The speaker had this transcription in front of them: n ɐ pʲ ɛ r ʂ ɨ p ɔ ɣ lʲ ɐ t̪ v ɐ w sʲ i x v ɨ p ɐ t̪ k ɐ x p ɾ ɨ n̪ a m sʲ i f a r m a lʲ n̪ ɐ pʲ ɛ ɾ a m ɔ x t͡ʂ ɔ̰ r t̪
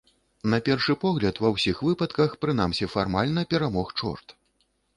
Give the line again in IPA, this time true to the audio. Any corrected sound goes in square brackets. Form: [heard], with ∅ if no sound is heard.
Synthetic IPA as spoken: n ɐ pʲ ɛ r ʂ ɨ p ɔ ɣ lʲ ɐ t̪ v ɐ w sʲ i x v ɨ p ɐ t̪ k ɐ x p ɾ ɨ n̪ a m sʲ i f a r m a lʲ n̪ ɐ pʲ ɛ ɾ a m ɔ x t͡ʂ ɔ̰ r t̪